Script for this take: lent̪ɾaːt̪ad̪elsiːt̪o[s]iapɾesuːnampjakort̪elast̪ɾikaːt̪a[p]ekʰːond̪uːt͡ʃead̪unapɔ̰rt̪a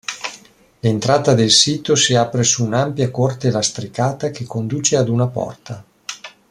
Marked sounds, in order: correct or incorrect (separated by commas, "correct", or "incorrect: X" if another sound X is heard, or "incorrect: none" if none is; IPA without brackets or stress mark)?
correct, incorrect: k